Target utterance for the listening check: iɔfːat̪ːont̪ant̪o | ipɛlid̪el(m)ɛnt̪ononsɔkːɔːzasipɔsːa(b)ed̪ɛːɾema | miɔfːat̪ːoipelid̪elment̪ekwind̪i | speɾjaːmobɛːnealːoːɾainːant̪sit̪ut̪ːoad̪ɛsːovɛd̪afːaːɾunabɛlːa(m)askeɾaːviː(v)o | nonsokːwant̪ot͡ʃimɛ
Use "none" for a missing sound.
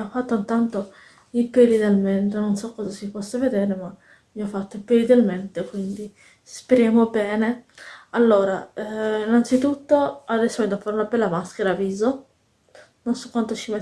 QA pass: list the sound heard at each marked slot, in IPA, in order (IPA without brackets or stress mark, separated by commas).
m, v, m, z